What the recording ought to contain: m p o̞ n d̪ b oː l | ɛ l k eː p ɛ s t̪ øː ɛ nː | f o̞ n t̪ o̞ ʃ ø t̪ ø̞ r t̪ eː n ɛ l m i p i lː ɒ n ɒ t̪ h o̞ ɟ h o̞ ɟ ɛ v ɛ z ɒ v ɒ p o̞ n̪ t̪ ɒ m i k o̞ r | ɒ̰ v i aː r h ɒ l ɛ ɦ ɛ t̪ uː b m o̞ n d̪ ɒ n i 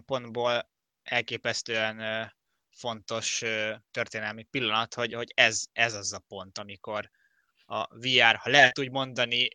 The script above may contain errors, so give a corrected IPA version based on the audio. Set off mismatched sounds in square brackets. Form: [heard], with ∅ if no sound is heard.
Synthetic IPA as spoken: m p o̞ n d̪ b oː l | ɛ l k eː p ɛ s t̪ øː ɛ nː | f o̞ n t̪ o̞ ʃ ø t̪ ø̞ r t̪ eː n ɛ l m i p i lː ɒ n ɒ t̪ h o̞ ɟ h o̞ ɟ ɛ [z] ɛ z ɒ [z] ɒ p o̞ n̪ t̪ ɒ m i k o̞ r | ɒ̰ v i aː r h ɒ l ɛ ɦ ɛ t̪ uː [ɟ] m o̞ n d̪ ɒ n i